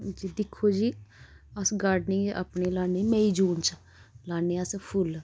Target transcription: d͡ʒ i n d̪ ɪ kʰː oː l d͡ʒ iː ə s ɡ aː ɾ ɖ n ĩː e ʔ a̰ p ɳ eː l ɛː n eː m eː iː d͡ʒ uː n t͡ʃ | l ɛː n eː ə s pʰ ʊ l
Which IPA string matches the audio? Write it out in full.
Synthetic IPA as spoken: d͡ʒ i d̪ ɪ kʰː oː d͡ʒ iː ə s ɡ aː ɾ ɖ n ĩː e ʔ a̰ p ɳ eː l aː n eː m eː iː d͡ʒ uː n t͡ʃ | l aː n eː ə s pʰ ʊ l